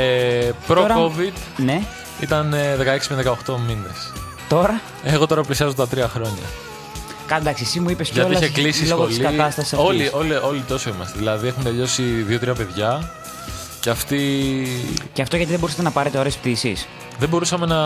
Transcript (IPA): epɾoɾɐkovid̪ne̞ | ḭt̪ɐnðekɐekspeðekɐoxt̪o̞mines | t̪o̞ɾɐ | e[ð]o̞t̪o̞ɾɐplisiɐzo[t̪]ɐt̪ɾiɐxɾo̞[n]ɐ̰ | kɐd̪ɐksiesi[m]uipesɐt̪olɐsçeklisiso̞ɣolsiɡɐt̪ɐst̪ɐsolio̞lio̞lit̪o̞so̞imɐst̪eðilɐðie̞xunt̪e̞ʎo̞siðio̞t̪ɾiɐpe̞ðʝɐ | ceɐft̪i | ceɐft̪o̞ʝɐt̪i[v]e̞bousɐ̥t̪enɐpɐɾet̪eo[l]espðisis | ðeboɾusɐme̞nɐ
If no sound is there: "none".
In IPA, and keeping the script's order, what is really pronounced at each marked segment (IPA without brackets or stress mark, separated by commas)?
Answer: ɣ, t̪, ɲ, m, ð, ɾ